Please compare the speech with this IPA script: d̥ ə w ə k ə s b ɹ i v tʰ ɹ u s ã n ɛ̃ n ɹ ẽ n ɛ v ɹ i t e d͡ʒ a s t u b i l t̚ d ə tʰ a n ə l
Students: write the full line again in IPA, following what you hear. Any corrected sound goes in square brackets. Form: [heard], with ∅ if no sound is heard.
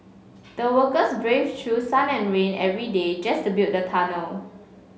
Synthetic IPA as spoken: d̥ ə w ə k ə s b ɹ [e] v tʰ ɹ u s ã n ɛ̃ n ɹ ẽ n ɛ v ɹ i [d] e d͡ʒ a s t u b i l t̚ d ə tʰ a n ə l